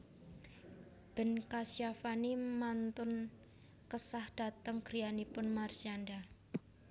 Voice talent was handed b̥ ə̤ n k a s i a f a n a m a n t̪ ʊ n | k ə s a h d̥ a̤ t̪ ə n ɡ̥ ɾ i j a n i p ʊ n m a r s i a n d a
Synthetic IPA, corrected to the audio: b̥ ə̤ n k a s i a f a n i m a n t̪ ʊ n | k ə s a h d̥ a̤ t̪ ə ŋ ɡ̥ ɾ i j a n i p ʊ n m a r s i a n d a